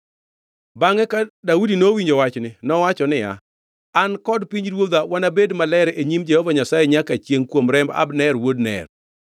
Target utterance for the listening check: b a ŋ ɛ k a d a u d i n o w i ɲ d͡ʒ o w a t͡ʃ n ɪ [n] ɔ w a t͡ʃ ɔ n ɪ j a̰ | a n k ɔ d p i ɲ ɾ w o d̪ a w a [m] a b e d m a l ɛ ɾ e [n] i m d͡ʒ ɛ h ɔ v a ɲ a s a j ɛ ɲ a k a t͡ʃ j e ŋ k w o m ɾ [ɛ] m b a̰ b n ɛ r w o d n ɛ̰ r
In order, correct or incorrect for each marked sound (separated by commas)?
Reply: correct, incorrect, incorrect, correct